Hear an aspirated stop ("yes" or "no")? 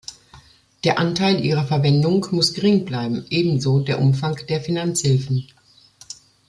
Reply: no